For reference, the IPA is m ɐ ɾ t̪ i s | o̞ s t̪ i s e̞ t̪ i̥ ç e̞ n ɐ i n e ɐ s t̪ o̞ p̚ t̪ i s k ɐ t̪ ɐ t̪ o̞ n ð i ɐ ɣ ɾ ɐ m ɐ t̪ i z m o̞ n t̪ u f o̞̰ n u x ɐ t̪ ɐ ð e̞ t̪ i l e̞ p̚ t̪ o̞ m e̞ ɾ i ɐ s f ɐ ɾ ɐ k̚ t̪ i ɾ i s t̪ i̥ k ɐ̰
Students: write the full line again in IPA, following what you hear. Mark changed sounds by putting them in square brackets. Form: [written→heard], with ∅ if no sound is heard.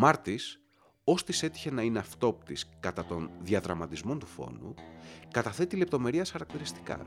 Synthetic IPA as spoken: m ɐ ɾ t̪ i s | o̞ s t̪ i s e̞ t̪ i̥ ç e̞ n ɐ i n e ɐ [s→f] t̪ o̞ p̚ t̪ i s k ɐ t̪ ɐ t̪ o̞ n ð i ɐ [ɣ→ð] ɾ ɐ m ɐ t̪ i z m o̞ n t̪ u f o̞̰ n u [x→k] ɐ t̪ ɐ [ð→θ] e̞ t̪ i l e̞ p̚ t̪ o̞ m e̞ ɾ i ɐ s [f→x] ɐ ɾ ɐ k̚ t̪ i ɾ i s t̪ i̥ k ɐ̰